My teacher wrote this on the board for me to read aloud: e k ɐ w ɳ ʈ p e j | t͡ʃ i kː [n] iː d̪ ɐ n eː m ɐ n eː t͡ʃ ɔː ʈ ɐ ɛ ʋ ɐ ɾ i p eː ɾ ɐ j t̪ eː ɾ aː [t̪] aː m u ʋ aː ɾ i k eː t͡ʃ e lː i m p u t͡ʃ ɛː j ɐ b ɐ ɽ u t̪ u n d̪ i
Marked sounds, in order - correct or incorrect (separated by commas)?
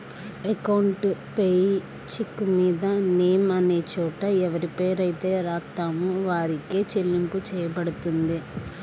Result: incorrect, correct